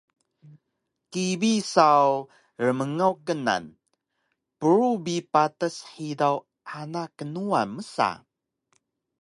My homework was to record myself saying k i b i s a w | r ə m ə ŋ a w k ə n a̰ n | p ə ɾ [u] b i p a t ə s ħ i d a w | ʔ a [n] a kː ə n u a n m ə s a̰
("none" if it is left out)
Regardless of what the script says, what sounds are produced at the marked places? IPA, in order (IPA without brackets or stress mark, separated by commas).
u, n